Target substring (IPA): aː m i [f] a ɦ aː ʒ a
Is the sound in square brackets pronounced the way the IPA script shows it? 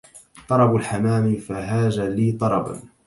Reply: yes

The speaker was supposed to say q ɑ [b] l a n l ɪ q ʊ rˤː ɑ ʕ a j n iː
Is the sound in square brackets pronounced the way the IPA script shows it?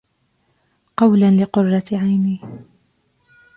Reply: no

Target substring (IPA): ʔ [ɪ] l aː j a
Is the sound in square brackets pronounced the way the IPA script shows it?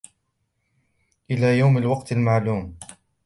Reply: yes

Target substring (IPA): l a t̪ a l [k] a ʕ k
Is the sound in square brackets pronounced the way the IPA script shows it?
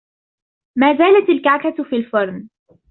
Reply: yes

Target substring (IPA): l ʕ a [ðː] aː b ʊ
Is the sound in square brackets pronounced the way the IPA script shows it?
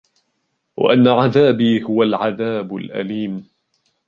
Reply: no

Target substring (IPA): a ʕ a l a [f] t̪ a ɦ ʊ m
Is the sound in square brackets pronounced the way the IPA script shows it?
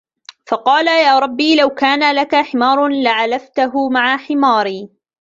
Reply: yes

